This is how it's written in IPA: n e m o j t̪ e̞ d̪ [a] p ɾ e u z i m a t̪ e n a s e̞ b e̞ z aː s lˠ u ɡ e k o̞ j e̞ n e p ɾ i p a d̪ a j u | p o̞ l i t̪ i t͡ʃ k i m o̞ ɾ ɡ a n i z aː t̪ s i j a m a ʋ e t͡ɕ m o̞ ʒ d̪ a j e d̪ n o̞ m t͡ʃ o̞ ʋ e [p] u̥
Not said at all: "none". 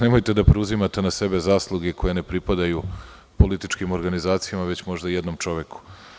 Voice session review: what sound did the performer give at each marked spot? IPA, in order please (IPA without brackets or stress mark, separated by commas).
a, k